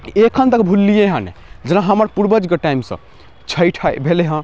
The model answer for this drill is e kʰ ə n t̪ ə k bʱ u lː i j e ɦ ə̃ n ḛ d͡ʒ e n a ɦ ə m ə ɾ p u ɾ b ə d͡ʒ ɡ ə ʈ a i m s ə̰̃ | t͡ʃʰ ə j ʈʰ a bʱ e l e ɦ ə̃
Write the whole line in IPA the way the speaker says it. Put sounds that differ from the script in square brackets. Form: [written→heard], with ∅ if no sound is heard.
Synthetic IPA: e kʰ ə n t̪ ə k bʱ u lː i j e ɦ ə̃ n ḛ d͡ʒ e n a ɦ ə m ə ɾ p u ɾ b ə d͡ʒ ɡ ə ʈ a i m s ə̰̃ | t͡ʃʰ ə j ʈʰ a bʱ e l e ɦ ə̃